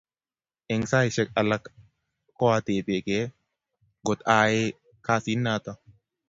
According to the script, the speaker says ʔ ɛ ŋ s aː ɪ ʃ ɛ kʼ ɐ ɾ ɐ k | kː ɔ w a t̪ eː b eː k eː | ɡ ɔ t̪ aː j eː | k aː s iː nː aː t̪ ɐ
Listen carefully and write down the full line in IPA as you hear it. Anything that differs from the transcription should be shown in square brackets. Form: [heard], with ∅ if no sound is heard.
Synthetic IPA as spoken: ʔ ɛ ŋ s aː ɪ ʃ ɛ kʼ ɐ [l] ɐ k | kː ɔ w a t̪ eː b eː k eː | ɡ ɔ t̪ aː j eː | k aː s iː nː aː t̪ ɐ